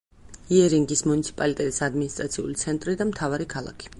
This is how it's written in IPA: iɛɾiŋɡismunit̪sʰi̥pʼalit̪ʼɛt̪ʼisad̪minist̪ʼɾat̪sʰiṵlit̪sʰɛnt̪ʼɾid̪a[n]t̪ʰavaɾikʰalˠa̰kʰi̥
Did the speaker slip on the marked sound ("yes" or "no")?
yes